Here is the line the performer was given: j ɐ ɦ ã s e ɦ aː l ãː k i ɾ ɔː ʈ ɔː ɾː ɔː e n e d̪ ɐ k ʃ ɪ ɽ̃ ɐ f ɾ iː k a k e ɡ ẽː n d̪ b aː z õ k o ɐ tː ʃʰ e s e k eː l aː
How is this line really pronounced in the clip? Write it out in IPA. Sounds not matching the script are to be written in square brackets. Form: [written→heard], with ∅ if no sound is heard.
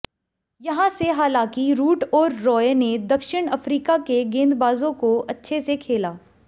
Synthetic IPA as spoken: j ɐ ɦ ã s e ɦ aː l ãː k i ɾ [ɔː→uː] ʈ ɔː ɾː ɔː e n e d̪ ɐ k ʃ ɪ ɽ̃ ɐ f ɾ iː k a k e ɡ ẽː n d̪ b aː z õ k o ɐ tː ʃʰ e s e [k→kʰ] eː l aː

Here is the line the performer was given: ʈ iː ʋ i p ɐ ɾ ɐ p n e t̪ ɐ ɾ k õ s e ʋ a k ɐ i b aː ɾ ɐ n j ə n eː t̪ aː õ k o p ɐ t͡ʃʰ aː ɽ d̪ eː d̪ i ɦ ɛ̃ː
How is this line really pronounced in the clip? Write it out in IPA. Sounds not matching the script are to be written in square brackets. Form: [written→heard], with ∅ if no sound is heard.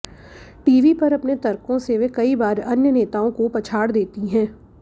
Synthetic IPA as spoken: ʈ iː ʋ i p ɐ ɾ ɐ p n e t̪ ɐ ɾ k õ s e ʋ [a→e] k ɐ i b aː ɾ ɐ n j ə n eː t̪ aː õ k o p ɐ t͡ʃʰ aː ɽ d̪ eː [d̪→t̪] i ɦ ɛ̃ː

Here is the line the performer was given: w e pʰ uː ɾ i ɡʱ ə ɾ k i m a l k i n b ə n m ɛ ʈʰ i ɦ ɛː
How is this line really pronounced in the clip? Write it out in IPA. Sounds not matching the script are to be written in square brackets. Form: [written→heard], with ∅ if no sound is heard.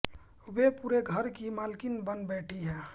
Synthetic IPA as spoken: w e [pʰ→p] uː ɾ [i→e] ɡʱ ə ɾ k i m a l k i n b ə n [m→b] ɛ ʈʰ i ɦ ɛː

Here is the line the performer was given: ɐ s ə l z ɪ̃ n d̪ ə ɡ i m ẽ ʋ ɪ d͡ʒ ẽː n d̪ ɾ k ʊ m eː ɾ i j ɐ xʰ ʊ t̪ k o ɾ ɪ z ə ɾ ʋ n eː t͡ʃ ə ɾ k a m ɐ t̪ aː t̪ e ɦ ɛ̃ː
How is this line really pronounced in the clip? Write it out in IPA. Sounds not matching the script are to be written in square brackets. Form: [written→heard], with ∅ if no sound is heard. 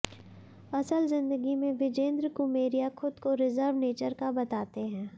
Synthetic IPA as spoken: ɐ s ə l z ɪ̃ n d̪ ə ɡ i m ẽ ʋ ɪ d͡ʒ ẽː n d̪ ɾ k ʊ m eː ɾ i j [ɐ→a] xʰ ʊ [t̪→d̪] k o ɾ ɪ z ə ɾ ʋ n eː t͡ʃ ə ɾ k a [m→b] ɐ t̪ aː t̪ e ɦ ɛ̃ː

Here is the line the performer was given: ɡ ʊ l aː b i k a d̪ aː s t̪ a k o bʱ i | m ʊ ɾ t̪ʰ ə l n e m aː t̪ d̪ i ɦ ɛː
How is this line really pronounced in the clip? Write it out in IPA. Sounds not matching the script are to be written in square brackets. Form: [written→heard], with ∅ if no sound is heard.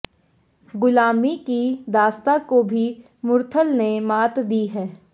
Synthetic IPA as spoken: ɡ ʊ l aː [b→m] i k [a→i] d̪ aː s t̪ a k o bʱ i | m ʊ ɾ t̪ʰ ə l n e m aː t̪ d̪ i ɦ ɛː

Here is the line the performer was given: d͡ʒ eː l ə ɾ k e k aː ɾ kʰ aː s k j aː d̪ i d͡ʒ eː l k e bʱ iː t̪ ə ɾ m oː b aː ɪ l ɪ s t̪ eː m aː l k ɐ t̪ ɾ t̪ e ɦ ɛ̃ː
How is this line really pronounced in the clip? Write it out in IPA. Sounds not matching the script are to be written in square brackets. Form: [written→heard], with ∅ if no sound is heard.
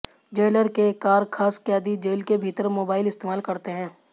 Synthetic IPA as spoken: d͡ʒ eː l ə ɾ k e k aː ɾ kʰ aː s k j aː d̪ i d͡ʒ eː l k e bʱ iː t̪ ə ɾ m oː b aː ɪ l ɪ s t̪ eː m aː l k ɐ [t̪→∅] ɾ t̪ e ɦ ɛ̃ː

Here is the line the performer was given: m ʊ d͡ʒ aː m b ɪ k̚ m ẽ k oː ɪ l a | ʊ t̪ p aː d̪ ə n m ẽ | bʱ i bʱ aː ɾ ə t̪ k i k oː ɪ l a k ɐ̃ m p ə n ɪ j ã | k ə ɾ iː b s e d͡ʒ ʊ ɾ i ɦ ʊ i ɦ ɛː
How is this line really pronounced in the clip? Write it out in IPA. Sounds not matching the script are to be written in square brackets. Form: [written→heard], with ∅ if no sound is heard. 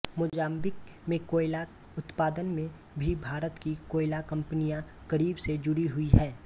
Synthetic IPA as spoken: m ʊ d͡ʒ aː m b ɪ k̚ m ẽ k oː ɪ l a | ʊ t̪ p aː d̪ ə n m ẽ | bʱ i bʱ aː ɾ ə t̪ k i k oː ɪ l a k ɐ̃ m p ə n [ɪ→i] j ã | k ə ɾ iː b s e d͡ʒ ʊ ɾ i ɦ ʊ i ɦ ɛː

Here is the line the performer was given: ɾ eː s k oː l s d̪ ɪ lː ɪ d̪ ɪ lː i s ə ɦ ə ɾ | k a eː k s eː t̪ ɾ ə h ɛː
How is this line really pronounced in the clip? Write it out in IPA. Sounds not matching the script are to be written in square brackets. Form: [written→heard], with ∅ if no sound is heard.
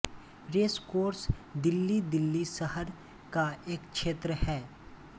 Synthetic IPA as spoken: ɾ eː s k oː [l→ɾ] s d̪ ɪ lː [ɪ→i] d̪ ɪ lː i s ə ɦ ə ɾ | k a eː k [s→ʃ] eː t̪ ɾ ə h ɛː

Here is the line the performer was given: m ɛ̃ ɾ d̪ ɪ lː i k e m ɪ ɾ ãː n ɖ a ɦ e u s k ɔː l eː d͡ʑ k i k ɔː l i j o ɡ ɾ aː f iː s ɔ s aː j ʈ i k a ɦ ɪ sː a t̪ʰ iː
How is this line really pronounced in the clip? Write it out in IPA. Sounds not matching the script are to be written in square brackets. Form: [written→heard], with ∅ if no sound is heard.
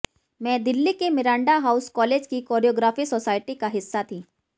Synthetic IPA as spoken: m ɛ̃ [ɾ→∅] d̪ ɪ lː i k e m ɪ ɾ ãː [n→ɳ] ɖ a ɦ [e→a] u s k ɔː l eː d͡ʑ k i k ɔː [l→ɾ] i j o ɡ ɾ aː f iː s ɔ s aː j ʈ i k a ɦ ɪ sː a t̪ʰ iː

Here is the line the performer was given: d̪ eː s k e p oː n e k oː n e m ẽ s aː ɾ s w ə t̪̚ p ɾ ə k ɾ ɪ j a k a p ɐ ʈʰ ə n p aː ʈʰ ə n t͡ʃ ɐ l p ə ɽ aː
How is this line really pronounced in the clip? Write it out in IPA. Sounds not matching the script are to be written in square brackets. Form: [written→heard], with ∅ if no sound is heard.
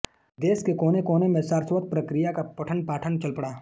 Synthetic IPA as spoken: d̪ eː s k e [p→k] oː n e k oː n e m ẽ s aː ɾ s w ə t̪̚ p ɾ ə k ɾ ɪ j a k a p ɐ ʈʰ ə n p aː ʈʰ ə n t͡ʃ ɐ l p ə ɽ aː

